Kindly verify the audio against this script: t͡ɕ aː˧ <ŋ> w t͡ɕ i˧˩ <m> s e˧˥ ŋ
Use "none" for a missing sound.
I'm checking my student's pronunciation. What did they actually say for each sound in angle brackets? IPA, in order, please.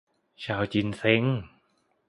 none, n

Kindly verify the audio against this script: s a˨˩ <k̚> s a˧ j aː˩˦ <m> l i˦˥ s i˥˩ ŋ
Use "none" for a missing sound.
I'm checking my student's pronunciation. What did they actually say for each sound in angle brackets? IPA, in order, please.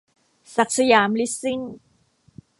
k̚, m

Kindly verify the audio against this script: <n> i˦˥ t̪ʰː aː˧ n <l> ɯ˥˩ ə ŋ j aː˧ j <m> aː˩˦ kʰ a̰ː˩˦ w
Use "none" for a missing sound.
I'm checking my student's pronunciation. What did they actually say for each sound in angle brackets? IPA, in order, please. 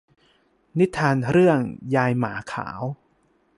n, ɾ, m

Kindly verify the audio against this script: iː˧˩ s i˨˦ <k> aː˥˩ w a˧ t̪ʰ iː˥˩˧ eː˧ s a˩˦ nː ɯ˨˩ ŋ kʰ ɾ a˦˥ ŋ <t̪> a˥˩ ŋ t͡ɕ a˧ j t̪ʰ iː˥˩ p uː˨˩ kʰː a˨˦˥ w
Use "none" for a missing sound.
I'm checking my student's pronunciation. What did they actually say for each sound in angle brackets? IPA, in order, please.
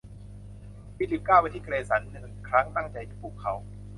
k, t̪

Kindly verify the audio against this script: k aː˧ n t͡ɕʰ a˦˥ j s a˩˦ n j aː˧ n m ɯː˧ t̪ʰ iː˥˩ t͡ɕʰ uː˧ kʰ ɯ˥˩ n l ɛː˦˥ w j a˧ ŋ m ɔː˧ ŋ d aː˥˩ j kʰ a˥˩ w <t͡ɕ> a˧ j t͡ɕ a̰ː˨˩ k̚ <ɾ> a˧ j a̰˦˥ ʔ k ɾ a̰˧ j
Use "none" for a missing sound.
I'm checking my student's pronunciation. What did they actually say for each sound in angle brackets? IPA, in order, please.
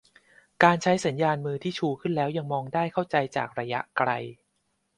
t͡ɕ, ɾ

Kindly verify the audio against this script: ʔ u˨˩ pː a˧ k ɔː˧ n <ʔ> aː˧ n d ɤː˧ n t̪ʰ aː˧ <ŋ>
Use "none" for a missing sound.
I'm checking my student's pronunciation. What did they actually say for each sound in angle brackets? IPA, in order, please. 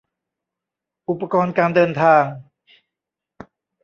k, ŋ

